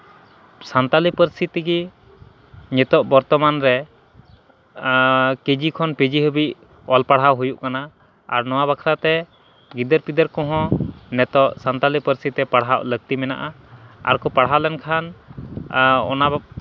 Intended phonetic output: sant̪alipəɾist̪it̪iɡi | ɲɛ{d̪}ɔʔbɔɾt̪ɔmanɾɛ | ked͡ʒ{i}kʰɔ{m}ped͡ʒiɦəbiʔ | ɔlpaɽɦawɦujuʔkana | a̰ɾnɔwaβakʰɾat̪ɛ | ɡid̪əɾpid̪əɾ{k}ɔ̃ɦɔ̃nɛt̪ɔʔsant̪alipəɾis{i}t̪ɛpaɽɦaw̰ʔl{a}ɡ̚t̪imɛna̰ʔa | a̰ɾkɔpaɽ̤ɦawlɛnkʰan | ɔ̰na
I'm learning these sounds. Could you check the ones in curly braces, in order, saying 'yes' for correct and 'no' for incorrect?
no, yes, no, yes, yes, no

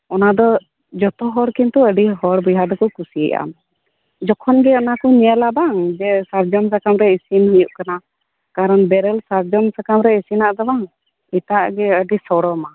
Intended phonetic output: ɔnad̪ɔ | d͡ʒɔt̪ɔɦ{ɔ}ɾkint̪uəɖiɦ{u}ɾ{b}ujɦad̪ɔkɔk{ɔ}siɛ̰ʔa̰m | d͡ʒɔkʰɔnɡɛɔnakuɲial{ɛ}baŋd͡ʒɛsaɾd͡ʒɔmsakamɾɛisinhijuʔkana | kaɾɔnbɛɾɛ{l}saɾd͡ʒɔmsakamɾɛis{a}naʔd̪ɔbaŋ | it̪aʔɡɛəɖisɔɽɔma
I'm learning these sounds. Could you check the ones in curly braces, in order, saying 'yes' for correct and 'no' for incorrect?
yes, no, yes, no, no, yes, no

